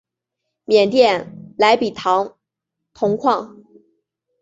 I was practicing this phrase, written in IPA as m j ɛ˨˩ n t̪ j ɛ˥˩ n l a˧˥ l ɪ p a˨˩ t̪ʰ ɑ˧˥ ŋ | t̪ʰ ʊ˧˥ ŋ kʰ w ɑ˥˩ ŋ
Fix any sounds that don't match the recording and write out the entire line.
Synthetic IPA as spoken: m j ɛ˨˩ n t̪ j ɛ˥˩ n l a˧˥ ɪ p i˨˩ t̪ʰ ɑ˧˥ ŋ | t̪ʰ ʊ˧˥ ŋ kʰ w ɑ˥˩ ŋ